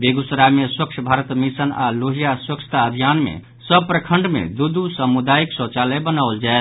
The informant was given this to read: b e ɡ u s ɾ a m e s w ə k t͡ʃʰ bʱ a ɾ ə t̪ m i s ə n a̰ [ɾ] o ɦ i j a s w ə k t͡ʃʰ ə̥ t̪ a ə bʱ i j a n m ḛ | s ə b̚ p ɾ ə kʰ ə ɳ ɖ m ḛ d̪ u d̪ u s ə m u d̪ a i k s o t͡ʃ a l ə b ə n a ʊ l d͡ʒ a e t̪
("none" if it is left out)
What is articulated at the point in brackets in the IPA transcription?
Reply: l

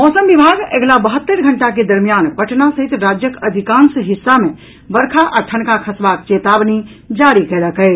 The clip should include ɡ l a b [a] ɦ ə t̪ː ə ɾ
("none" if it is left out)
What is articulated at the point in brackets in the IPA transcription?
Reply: ə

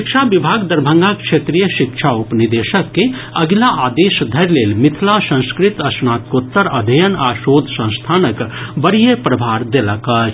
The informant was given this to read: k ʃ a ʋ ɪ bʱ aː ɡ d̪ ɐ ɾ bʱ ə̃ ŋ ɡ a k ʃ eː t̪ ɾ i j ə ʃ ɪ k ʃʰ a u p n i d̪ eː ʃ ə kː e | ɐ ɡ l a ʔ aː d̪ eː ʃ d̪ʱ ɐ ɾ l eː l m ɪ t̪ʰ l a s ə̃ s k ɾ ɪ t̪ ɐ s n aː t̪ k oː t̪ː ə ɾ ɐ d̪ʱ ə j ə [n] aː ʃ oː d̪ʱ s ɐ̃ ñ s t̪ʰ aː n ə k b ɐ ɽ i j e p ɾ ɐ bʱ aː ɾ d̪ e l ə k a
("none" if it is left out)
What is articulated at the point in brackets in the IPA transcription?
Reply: n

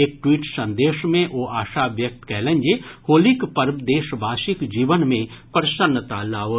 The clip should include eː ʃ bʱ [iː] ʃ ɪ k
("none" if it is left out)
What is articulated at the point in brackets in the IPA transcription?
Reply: aː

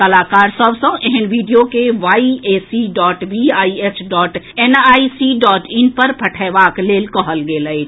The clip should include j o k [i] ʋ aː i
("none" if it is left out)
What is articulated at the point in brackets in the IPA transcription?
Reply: e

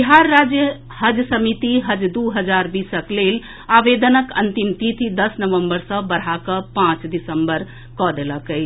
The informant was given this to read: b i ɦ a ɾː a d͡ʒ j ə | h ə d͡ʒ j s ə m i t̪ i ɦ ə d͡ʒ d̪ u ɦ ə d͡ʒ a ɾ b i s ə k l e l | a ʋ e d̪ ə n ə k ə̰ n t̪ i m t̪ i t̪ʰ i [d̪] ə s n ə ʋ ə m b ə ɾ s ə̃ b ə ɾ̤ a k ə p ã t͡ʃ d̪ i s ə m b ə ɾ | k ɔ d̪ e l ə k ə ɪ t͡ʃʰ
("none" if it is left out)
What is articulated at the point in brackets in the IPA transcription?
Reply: d̪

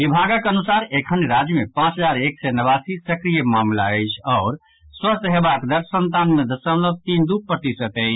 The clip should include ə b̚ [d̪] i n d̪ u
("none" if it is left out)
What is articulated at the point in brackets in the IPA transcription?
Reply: t̪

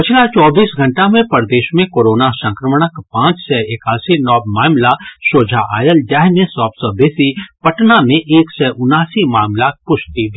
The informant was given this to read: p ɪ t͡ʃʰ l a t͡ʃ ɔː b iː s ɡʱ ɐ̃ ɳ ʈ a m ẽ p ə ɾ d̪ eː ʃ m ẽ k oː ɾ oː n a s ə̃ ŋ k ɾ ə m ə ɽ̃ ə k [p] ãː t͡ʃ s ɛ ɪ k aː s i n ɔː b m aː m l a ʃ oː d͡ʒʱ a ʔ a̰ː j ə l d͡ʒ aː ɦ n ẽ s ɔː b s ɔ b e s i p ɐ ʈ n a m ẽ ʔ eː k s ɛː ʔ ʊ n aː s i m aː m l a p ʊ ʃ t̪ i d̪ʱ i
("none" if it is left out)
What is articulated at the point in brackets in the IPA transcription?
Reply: p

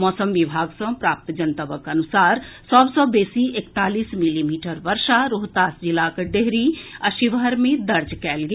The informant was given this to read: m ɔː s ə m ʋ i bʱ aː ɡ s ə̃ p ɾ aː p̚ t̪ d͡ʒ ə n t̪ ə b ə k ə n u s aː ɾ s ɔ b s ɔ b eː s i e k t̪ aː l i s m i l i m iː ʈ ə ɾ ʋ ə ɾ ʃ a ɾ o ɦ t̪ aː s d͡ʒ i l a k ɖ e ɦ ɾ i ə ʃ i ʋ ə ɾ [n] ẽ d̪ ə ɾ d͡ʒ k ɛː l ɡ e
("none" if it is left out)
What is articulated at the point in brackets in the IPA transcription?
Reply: m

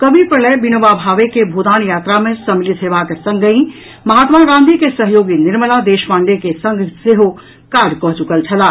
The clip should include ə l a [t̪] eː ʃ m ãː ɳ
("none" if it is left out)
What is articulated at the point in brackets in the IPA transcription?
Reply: d̪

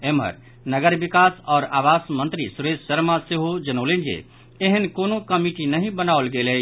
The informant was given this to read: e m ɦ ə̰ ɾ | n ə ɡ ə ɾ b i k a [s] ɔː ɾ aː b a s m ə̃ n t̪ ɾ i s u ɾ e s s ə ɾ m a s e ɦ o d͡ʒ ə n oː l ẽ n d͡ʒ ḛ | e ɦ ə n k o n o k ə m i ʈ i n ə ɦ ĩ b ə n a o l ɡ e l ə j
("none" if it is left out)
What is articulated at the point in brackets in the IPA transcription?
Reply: s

